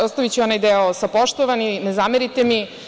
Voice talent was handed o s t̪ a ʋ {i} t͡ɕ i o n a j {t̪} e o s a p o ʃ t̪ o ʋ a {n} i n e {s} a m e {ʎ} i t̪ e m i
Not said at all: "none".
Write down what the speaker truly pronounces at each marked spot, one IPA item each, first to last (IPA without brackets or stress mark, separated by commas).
i, d̪, n, z, ɾ